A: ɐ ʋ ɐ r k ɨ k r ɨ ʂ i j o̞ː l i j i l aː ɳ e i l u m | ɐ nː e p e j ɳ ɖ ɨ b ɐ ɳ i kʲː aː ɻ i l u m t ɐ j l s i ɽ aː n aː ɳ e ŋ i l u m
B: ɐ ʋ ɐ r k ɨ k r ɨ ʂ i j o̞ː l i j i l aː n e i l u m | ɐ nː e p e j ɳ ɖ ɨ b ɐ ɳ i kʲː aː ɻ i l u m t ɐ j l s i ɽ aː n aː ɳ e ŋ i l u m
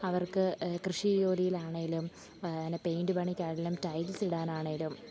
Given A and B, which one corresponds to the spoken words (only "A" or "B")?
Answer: A